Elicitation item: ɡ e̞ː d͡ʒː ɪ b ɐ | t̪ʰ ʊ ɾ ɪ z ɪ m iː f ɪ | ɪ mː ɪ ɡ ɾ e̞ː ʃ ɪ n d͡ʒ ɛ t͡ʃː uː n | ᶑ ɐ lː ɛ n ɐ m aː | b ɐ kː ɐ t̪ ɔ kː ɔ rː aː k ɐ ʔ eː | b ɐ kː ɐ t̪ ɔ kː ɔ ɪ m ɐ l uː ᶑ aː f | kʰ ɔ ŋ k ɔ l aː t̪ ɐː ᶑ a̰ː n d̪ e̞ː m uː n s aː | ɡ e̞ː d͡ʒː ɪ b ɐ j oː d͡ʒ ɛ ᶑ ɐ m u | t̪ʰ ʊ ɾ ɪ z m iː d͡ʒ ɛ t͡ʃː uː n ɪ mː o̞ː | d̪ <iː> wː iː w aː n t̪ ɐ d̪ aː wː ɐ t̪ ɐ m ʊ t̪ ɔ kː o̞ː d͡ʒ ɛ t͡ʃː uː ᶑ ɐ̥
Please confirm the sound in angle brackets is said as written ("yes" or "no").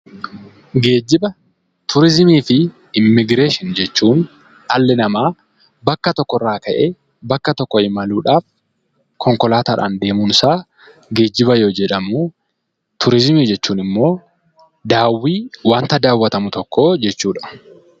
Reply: no